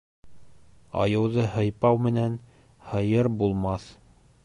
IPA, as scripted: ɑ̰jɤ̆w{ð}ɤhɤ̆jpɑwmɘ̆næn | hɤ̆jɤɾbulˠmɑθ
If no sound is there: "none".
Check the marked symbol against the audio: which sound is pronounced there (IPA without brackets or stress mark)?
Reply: ð